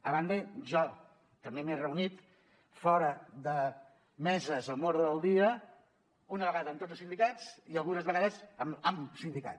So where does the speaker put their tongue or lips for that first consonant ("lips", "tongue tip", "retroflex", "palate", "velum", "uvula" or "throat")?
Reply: lips